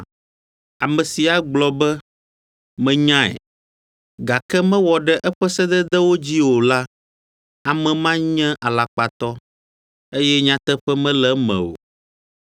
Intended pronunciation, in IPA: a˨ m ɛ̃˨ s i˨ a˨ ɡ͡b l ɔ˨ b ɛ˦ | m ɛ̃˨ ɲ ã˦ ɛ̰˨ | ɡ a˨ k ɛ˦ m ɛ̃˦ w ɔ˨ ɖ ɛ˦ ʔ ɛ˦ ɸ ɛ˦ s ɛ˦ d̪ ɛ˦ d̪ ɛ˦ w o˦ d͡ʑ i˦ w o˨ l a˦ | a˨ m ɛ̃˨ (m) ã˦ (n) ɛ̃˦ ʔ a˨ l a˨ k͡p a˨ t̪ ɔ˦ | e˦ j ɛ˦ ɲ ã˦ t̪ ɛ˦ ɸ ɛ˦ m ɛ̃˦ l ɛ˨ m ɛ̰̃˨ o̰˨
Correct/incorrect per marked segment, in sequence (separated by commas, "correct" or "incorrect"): correct, incorrect